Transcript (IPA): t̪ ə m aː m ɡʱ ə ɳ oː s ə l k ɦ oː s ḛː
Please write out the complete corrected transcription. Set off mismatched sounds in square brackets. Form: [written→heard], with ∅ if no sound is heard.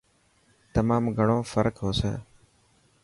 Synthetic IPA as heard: t̪ ə m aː m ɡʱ ə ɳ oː [s→f] ə [l→ɾ] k ɦ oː s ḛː